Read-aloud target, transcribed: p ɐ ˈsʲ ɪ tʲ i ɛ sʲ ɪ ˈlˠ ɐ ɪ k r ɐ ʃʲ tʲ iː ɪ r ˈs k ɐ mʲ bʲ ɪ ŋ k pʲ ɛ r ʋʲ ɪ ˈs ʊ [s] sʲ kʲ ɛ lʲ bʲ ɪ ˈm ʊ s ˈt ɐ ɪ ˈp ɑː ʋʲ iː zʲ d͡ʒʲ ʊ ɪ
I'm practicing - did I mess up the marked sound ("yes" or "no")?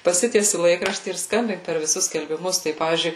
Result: no